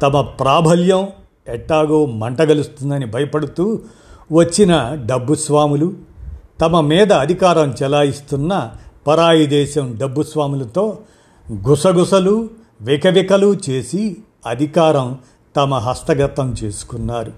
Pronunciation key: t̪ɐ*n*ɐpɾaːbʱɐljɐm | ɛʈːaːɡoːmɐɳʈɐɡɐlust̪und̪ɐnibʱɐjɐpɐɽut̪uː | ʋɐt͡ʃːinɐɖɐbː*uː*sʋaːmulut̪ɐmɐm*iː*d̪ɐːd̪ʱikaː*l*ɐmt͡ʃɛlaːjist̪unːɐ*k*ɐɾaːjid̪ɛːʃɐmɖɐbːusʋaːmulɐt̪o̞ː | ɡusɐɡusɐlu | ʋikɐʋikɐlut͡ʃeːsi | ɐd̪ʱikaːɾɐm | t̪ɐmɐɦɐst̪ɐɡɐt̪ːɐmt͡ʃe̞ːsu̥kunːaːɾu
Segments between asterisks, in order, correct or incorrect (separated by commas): incorrect, incorrect, correct, incorrect, incorrect